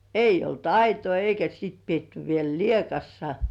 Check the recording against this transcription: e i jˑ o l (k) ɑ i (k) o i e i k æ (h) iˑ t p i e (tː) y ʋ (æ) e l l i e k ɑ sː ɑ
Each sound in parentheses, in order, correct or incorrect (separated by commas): incorrect, incorrect, incorrect, correct, incorrect